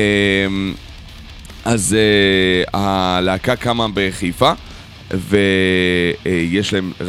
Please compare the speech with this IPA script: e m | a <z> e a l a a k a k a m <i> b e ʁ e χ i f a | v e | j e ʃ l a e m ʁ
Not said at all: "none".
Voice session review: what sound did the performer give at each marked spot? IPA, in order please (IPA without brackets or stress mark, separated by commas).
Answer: z, a